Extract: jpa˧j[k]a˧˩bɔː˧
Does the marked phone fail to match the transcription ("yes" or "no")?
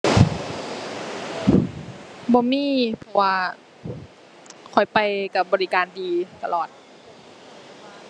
no